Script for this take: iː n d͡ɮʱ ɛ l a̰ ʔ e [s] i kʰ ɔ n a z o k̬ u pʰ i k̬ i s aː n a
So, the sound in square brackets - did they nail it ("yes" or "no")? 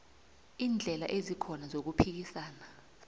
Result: no